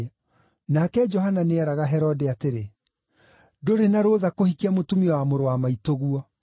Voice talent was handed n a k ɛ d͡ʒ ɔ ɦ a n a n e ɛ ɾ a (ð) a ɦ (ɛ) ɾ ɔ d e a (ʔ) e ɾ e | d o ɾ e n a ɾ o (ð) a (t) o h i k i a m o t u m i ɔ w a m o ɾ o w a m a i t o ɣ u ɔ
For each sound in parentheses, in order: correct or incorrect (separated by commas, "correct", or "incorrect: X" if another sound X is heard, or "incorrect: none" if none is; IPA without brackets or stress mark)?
incorrect: ɣ, correct, incorrect: t, correct, incorrect: k